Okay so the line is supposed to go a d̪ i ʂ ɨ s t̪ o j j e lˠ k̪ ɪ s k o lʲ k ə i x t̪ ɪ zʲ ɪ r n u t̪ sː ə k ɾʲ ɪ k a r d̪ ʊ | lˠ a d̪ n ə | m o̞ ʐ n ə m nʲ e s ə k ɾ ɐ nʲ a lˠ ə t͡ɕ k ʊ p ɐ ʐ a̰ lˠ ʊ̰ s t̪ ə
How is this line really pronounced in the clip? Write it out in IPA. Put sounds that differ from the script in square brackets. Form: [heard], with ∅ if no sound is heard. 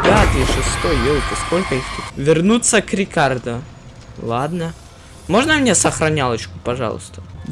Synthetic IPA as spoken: a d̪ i ʂ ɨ s t̪ o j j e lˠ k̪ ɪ s k o lʲ k ə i x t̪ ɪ [vʲ] ɪ r n u t̪ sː ə k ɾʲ ɪ k a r d̪ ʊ | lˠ a d̪ n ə | m o̞ ʐ n ə m nʲ e s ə [x] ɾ ɐ nʲ a lˠ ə t͡ɕ k ʊ p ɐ ʐ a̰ lˠ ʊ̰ s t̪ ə